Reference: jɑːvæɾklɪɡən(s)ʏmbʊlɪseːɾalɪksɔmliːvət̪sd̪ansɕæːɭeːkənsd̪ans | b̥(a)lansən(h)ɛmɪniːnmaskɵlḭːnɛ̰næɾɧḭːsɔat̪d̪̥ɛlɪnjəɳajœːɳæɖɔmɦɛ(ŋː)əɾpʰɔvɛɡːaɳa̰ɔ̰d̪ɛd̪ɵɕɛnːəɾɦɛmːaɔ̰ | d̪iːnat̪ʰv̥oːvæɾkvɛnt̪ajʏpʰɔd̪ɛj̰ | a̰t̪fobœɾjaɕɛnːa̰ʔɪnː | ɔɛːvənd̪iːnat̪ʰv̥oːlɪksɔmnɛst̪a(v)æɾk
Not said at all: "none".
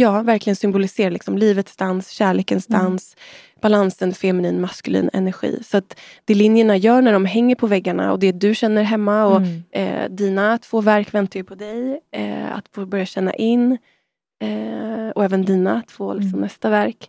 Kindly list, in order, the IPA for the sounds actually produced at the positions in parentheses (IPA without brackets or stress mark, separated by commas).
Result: s, a, f, ŋː, v